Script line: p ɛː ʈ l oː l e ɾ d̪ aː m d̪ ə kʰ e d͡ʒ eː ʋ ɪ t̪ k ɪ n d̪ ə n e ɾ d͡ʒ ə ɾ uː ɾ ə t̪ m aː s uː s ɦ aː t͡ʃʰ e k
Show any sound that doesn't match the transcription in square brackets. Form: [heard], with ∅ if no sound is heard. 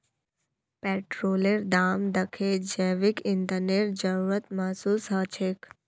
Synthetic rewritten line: p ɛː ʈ [ɾ] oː l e ɾ d̪ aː m d̪ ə kʰ e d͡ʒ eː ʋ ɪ [∅] k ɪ n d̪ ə n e ɾ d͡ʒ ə ɾ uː ɾ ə t̪ m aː s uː s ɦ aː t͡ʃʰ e k